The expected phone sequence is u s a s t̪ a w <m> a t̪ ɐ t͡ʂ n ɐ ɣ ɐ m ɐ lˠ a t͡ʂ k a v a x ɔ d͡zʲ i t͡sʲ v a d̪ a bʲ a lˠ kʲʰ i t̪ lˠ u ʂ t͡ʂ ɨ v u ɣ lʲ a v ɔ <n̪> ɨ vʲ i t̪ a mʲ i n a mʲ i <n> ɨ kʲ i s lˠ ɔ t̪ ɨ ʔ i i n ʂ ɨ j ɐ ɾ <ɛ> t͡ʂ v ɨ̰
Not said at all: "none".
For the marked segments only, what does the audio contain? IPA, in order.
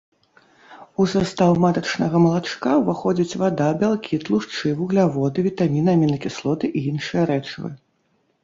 m, d̪, n, ɛ

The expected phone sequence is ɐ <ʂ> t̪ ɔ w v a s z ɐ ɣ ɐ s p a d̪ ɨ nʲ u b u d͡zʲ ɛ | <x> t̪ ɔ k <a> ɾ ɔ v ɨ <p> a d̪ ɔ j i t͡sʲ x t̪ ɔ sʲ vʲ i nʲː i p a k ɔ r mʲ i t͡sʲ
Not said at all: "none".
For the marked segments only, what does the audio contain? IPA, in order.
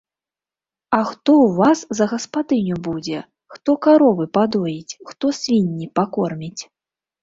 x, x, a, p

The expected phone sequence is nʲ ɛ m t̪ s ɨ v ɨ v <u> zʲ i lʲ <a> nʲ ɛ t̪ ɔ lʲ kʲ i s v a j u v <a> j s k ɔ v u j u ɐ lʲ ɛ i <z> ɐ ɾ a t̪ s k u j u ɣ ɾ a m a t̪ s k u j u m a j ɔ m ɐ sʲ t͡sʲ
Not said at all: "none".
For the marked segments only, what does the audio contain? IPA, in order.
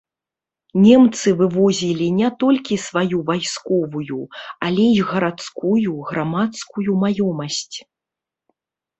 ɔ, i, a, ɣ

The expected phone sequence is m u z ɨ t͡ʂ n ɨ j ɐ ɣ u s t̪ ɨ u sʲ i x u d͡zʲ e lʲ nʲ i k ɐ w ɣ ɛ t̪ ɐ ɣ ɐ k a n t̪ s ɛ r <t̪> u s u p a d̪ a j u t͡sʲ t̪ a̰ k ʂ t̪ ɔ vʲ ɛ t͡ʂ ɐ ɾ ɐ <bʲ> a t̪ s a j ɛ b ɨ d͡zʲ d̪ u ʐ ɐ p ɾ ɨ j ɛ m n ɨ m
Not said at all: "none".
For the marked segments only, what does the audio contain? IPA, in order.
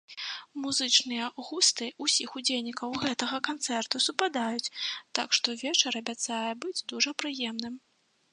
t̪, bʲ

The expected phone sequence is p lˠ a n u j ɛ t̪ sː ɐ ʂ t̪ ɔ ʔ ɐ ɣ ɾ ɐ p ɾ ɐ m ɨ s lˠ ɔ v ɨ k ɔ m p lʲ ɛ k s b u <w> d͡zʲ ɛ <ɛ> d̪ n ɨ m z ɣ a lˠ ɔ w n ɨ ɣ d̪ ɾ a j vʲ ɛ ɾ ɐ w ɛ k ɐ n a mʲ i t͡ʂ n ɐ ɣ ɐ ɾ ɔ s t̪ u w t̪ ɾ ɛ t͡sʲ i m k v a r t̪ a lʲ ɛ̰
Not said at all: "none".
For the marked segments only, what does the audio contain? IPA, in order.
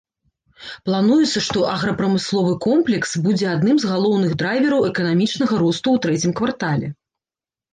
none, a

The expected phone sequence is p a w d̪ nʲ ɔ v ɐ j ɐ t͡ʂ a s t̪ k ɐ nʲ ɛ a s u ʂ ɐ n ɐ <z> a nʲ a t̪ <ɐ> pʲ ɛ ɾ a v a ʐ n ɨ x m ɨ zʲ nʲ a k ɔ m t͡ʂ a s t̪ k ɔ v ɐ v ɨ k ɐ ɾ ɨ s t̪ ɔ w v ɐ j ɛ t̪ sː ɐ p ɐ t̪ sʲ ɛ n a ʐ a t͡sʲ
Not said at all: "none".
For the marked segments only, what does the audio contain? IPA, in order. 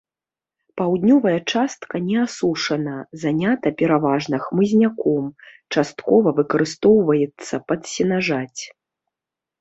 z, ɐ

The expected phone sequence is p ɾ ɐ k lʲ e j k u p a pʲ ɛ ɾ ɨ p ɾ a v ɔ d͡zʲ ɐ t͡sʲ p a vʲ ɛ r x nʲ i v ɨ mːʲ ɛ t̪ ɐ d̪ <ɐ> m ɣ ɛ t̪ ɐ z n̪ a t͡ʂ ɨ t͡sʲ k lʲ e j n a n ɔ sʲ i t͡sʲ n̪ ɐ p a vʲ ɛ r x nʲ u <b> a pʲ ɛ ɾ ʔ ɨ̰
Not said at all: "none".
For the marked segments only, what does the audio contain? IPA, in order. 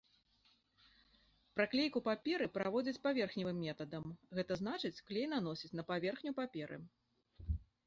ɐ, p

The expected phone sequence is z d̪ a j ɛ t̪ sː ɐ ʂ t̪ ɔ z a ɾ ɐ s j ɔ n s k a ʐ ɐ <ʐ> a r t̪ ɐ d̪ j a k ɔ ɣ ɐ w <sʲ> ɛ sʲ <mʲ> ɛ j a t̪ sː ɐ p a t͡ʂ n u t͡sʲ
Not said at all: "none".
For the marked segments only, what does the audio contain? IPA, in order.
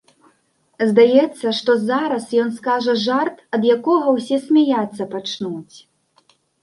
ʐ, sʲ, mʲ

